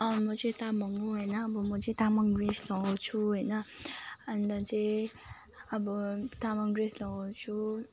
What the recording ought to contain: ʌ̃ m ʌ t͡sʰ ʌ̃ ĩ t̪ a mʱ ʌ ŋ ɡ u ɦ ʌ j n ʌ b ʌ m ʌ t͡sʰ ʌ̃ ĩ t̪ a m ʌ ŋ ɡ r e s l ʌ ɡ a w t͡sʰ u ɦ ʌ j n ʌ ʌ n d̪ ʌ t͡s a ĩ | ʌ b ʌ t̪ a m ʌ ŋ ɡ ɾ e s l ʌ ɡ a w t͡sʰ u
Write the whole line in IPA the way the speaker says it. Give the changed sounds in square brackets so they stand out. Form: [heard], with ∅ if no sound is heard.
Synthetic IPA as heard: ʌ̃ m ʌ [t͡s] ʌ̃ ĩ t̪ a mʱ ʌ ŋ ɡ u ɦ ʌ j n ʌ b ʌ m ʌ [t͡s] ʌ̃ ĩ t̪ a m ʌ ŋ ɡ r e s l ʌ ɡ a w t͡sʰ u ɦ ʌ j n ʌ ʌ n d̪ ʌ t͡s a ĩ | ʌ b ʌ t̪ a m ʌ ŋ ɡ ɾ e s l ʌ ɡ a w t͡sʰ u